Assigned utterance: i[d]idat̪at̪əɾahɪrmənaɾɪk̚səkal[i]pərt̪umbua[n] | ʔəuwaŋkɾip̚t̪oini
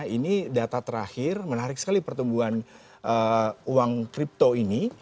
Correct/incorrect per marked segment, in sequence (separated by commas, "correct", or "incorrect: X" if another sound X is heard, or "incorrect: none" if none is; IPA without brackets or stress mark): incorrect: n, correct, correct